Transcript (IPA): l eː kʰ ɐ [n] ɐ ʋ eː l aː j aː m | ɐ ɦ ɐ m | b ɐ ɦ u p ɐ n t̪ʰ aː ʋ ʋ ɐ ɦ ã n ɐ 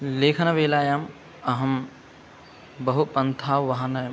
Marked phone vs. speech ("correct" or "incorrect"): correct